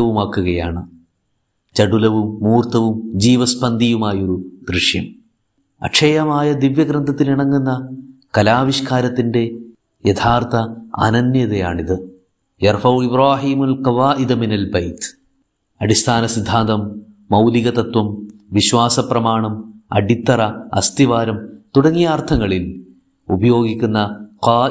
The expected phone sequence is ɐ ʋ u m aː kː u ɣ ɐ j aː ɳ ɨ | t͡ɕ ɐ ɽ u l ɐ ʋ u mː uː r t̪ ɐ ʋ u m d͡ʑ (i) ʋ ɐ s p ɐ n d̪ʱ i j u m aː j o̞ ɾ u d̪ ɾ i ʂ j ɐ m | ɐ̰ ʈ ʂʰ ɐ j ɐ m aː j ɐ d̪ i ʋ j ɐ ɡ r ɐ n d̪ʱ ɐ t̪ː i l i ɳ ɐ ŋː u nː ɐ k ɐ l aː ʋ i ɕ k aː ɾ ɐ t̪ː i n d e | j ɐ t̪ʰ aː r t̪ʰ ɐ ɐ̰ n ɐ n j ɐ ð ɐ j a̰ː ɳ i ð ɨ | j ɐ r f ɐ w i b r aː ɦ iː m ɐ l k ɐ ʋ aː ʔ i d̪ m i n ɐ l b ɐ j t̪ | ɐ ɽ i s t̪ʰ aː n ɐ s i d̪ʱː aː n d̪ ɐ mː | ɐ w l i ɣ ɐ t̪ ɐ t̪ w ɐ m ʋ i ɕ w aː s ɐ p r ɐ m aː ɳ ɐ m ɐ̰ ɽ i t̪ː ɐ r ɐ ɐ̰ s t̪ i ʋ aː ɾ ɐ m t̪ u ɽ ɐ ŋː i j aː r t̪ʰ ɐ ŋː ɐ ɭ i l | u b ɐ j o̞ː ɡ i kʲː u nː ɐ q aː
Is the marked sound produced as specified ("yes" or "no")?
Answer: no